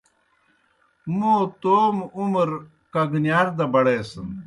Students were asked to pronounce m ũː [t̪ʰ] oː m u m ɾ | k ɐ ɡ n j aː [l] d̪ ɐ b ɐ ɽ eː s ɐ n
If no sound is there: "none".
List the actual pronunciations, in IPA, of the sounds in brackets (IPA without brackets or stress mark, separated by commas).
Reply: t̪, ɾ